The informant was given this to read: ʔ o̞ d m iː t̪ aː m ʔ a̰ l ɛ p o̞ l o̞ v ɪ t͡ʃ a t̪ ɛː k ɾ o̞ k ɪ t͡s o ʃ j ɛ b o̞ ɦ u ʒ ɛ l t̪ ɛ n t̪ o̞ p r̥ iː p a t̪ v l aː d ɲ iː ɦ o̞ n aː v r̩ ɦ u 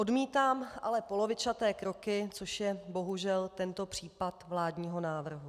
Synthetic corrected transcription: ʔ o̞ d m iː t̪ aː m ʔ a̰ l ɛ p o̞ l o̞ v ɪ t͡ʃ a t̪ ɛː k ɾ o̞ k ɪ t͡s o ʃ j ɛ b o̞ ɦ u ʒ ɛ l t̪ ɛ n t̪ o̞ p r̥ iː p a t̪ v l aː d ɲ iː ɦ o̞ n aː v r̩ ɦ u